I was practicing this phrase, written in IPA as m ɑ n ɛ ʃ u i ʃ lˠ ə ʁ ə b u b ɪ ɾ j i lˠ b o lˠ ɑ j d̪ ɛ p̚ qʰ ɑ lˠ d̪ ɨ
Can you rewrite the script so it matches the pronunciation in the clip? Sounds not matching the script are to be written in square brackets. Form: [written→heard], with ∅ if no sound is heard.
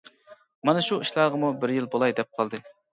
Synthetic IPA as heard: m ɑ n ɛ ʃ u i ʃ lˠ [ə→ɑ] ʁ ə [b→m] u b ɪ ɾ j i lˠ b o lˠ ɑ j d̪ ɛ p̚ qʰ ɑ lˠ d̪ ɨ

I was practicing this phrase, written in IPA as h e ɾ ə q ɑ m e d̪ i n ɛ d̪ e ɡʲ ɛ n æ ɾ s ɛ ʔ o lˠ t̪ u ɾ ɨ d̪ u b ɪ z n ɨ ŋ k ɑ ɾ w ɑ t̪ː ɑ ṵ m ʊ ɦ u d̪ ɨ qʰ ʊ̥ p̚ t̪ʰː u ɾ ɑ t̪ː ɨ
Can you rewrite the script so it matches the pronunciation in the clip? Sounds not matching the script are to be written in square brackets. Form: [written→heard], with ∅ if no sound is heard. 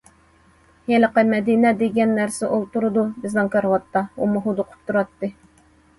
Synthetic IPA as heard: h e [ɾ→l] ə q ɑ m [e→ɛ] d̪ i n ɛ d̪ e ɡʲ ɛ [n→nː] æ ɾ s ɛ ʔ o lˠ t̪ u ɾ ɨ d̪ u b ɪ z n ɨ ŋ k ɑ ɾ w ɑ t̪ː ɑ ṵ m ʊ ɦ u d̪ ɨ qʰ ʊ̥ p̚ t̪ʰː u ɾ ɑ t̪ː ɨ

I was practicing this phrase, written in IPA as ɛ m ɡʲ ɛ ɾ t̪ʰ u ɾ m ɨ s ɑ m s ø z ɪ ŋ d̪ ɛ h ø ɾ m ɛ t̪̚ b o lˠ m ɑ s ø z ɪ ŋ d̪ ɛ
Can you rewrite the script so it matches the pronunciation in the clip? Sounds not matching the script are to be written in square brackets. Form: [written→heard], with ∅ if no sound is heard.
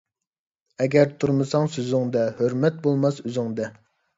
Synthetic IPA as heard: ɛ [m→∅] ɡʲ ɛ ɾ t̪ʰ u ɾ m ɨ s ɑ [m→ŋ] s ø z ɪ ŋ d̪ ɛ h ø ɾ m ɛ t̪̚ b o lˠ m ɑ s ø z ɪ ŋ d̪ ɛ

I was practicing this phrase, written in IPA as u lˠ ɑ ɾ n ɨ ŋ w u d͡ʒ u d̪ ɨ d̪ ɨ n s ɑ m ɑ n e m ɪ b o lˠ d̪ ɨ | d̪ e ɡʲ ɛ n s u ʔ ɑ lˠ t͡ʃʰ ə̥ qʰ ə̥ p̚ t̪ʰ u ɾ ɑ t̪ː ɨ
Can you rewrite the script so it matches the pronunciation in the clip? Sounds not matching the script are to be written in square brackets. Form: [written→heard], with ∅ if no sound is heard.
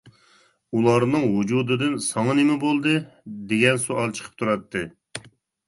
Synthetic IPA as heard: u lˠ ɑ ɾ n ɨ ŋ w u d͡ʒ u d̪ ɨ d̪ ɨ n s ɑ [m→ŋ] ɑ n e m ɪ b o lˠ d̪ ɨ | d̪ e ɡʲ ɛ n s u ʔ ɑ lˠ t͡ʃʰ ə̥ qʰ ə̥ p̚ t̪ʰ u ɾ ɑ t̪ː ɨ

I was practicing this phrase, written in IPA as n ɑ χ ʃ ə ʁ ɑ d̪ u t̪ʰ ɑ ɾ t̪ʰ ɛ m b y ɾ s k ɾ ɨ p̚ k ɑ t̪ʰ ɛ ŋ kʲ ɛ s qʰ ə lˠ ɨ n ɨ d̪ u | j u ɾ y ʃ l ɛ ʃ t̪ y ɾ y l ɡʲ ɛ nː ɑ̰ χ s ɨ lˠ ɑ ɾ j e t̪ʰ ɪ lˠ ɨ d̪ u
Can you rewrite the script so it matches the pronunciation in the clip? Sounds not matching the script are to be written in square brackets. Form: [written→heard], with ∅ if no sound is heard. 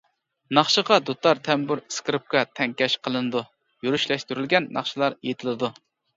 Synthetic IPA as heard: n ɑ χ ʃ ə ʁ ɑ d̪ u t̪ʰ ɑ ɾ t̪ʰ ɛ m b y ɾ s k ɾ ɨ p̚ k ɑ t̪ʰ ɛ ŋ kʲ ɛ [s→ʃ] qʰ ə lˠ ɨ n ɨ d̪ u | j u ɾ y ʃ l ɛ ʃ t̪ y ɾ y l ɡʲ ɛ nː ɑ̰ χ [s→ʃ] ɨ lˠ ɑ ɾ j e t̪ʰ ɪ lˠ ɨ d̪ u

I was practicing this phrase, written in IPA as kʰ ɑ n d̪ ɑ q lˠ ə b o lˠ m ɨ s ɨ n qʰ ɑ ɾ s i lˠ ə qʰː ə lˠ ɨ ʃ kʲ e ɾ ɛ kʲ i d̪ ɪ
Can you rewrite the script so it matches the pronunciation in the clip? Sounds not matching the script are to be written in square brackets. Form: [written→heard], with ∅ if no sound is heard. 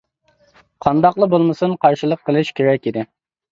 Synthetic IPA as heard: [kʰ→qʰ] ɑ n d̪ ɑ q lˠ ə b o lˠ m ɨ s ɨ n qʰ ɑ ɾ [s→ʃ] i lˠ ə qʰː ə lˠ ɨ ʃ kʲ e ɾ ɛ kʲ i d̪ ɪ

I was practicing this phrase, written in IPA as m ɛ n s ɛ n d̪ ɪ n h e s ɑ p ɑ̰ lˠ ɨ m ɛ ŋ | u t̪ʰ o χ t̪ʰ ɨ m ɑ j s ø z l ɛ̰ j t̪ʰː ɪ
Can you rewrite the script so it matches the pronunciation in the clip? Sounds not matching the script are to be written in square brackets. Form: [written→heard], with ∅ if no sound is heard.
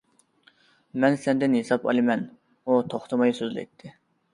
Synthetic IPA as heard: m ɛ n s ɛ n d̪ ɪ n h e s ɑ p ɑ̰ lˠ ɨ m ɛ [ŋ→n] | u t̪ʰ o χ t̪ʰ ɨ m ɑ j s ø z l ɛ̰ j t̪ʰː ɪ

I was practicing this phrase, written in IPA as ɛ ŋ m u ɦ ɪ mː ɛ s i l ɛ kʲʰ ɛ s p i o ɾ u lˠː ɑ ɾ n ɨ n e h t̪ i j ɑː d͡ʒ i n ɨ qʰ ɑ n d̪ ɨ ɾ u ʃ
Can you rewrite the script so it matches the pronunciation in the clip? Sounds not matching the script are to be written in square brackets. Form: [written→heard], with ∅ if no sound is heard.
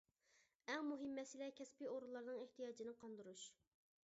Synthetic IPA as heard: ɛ ŋ m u ɦ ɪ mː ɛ s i l ɛ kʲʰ ɛ s p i o ɾ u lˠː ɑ ɾ n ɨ [n→ŋ] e h t̪ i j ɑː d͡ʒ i n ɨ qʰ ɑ n d̪ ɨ ɾ u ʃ

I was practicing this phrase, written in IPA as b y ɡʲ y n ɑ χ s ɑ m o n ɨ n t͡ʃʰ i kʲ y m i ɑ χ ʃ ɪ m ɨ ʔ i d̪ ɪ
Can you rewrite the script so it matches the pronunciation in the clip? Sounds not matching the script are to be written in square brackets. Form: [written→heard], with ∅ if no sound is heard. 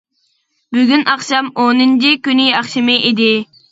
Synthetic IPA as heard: b y ɡʲ y n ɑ χ [s→ʃ] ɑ m o n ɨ n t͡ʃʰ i kʲ y [m→n] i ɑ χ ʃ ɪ m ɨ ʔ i d̪ ɪ

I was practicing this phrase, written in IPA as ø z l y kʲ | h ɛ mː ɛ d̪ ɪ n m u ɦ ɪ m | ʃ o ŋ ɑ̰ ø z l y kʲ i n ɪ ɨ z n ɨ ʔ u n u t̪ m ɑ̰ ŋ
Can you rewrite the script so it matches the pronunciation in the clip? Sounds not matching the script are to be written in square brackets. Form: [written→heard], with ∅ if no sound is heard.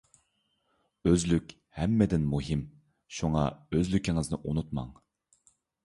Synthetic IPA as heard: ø z l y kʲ | h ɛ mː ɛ d̪ ɪ n m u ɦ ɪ m | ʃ [o→u] ŋ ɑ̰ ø z l y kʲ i [n→ŋ] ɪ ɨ z n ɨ ʔ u n u t̪ m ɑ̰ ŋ

